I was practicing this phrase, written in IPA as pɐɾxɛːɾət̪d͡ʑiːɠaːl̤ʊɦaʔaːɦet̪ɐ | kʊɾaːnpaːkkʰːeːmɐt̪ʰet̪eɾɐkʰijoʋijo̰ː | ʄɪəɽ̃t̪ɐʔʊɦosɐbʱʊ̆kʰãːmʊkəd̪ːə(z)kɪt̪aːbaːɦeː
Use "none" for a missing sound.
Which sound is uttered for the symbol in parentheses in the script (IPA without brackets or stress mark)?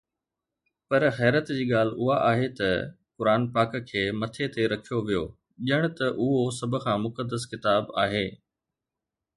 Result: s